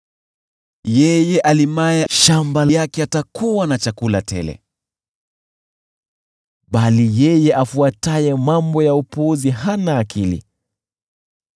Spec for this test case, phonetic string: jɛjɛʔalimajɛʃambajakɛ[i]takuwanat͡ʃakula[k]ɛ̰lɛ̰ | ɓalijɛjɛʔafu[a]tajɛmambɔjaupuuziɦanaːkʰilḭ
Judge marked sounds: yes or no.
no, no, yes

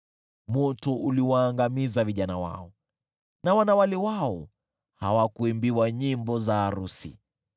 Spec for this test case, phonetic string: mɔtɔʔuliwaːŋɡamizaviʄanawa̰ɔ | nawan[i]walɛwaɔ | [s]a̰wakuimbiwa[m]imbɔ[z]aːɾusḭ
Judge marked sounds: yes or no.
no, no, no, yes

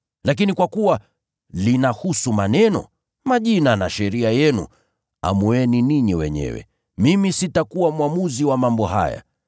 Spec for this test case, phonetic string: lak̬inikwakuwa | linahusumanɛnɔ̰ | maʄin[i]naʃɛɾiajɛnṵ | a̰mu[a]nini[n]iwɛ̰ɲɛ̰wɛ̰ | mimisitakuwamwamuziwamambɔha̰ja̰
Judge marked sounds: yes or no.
no, no, no

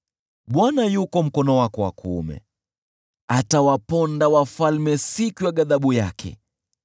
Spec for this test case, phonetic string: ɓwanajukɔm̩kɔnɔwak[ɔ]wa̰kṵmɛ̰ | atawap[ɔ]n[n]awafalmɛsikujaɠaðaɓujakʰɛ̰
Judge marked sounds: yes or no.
yes, yes, no

